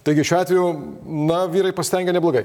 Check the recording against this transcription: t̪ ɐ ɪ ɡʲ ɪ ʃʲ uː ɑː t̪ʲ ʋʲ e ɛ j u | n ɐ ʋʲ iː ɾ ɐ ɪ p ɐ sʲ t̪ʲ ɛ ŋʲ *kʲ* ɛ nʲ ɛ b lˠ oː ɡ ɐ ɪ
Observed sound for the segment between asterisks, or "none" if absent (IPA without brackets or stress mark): ɡʲ